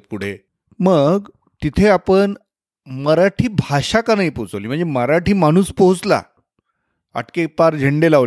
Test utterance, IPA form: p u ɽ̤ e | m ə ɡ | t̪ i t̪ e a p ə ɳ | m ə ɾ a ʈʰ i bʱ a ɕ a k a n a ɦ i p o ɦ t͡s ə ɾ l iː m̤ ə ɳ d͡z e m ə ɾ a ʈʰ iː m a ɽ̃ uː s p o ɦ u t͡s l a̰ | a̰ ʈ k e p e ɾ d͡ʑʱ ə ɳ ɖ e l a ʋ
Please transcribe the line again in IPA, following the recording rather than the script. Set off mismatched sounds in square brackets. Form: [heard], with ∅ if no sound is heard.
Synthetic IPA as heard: p u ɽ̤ e | m ə ɡ | t̪ i [t̪ʰ] e a p ə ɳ | m ə ɾ a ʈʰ [iː] bʱ a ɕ a k a n a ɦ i p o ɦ t͡s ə [∅] l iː m̤ ə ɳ d͡z e m ə ɾ a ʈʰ iː m a ɽ̃ uː s p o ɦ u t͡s l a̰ | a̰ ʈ k e p [a] ɾ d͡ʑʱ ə ɳ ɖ e l a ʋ